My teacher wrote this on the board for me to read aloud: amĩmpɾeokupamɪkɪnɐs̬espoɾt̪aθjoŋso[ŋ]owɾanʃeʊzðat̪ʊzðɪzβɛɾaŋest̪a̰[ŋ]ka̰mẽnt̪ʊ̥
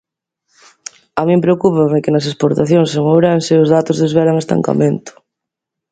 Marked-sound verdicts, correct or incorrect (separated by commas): correct, correct